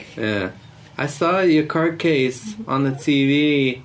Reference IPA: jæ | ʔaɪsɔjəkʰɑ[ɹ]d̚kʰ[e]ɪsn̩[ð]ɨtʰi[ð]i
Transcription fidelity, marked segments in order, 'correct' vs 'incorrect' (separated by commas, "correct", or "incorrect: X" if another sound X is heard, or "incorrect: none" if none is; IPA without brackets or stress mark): correct, correct, correct, incorrect: v